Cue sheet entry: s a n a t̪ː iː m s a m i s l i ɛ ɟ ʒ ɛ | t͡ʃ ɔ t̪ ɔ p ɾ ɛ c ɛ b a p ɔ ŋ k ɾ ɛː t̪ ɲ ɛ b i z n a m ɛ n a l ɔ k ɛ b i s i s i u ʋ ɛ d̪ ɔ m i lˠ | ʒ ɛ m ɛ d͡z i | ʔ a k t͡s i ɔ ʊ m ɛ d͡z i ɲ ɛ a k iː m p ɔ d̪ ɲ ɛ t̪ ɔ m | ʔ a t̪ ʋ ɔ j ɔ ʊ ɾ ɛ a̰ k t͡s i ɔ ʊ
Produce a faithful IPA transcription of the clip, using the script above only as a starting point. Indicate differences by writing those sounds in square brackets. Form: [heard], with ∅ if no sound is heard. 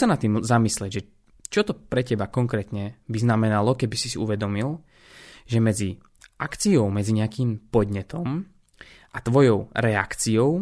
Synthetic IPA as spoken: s a n a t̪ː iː m [z] a m i s l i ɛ ɟ ʒ ɛ | t͡ʃ ɔ t̪ ɔ p ɾ ɛ c ɛ b a [k] ɔ ŋ k ɾ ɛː t̪ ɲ ɛ b i z n a m ɛ n a l ɔ k ɛ b i s i s i u ʋ ɛ d̪ ɔ m i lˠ | ʒ ɛ m ɛ d͡z i | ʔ a k t͡s i ɔ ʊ m ɛ d͡z i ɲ ɛ a k iː m p ɔ d̪ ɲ ɛ t̪ ɔ m | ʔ a t̪ ʋ ɔ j ɔ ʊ ɾ ɛ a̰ k t͡s i ɔ ʊ